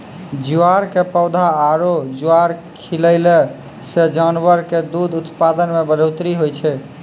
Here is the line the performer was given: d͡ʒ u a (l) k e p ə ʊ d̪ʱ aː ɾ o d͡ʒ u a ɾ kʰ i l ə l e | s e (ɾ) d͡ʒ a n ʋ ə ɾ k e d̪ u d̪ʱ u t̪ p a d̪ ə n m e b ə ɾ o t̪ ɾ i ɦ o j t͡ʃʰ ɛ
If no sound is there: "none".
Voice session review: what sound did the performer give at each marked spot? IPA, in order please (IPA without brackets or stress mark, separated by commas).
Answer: ɾ, none